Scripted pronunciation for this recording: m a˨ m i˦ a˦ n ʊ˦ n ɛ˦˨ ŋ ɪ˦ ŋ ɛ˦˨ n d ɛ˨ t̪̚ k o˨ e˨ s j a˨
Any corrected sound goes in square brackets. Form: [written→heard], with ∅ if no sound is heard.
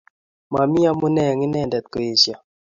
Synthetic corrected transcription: m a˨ m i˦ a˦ [n→m] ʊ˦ n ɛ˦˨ ŋ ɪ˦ [ŋ→n] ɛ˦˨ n d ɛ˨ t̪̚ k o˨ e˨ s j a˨